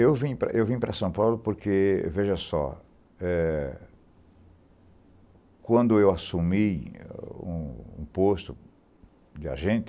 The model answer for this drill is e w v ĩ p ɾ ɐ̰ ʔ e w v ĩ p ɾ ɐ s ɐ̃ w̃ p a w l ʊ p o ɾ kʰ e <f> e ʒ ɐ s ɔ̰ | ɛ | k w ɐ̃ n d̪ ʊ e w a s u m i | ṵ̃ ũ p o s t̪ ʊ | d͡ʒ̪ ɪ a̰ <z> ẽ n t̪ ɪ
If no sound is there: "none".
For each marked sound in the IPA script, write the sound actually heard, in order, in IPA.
v, ʒ

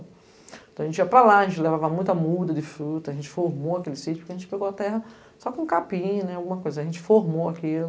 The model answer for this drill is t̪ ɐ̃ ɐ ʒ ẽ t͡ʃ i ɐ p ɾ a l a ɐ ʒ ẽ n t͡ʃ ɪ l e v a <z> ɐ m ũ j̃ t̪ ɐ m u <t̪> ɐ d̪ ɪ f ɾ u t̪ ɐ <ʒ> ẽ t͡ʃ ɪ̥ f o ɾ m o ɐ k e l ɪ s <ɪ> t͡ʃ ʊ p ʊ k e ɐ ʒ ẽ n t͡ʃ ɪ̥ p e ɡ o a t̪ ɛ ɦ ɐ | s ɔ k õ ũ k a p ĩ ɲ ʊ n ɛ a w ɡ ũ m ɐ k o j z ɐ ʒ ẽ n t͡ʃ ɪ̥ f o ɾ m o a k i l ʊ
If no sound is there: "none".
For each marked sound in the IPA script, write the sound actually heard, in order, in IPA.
v, d̪, ʒ, i

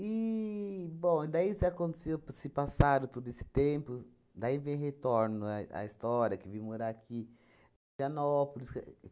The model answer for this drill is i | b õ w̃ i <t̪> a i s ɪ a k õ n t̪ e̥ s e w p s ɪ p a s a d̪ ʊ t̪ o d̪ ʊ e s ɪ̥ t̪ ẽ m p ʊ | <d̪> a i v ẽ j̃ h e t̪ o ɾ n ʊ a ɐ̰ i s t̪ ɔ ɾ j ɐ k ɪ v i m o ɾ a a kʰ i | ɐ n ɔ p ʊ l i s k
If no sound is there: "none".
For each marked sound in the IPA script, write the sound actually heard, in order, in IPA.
d̪, d̪

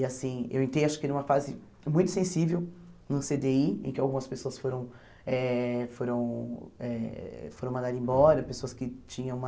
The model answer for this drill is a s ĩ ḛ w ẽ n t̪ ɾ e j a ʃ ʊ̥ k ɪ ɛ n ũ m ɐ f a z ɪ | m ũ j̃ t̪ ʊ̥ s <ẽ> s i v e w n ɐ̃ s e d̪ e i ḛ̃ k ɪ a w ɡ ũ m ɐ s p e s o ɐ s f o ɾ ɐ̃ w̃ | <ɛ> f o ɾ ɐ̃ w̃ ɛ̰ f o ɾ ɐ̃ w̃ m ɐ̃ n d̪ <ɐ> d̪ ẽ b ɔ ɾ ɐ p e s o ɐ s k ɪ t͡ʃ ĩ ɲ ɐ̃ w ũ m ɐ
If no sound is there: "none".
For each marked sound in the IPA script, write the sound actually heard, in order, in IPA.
ẽ, ɛ, a

